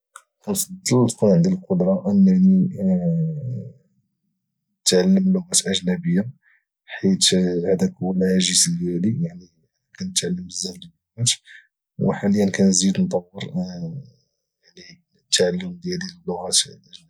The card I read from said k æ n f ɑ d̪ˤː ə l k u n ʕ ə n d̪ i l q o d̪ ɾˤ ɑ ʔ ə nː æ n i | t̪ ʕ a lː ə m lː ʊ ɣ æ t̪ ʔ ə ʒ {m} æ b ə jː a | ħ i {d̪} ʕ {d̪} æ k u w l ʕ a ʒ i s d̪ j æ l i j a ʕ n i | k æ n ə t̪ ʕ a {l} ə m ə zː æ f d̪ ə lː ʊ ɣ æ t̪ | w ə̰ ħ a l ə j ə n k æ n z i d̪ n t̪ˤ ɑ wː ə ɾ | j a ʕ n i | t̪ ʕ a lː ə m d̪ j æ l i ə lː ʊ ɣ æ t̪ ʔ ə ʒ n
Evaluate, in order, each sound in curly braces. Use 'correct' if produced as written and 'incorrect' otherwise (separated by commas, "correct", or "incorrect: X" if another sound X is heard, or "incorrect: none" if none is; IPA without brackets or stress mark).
incorrect: n, incorrect: t̪, correct, incorrect: lː